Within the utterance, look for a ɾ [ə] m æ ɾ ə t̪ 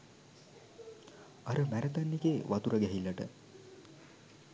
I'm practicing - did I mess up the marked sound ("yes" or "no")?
no